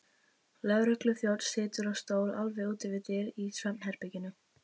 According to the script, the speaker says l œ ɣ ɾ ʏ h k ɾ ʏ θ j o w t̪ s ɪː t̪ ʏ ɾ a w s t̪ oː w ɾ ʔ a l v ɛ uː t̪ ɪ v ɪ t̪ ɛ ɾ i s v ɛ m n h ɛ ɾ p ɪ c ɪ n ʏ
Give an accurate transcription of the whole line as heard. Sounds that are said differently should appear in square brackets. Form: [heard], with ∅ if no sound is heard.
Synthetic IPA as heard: l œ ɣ ɾ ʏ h k [l] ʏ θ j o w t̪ s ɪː t̪ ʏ ɾ a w s t̪ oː w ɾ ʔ a l v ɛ uː t̪ ɪ v ɪ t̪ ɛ ɾ i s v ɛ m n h ɛ ɾ p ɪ c ɪ n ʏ